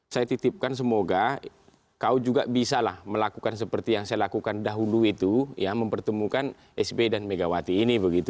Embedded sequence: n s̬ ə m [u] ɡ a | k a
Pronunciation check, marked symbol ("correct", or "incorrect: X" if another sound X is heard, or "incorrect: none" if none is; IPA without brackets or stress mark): incorrect: o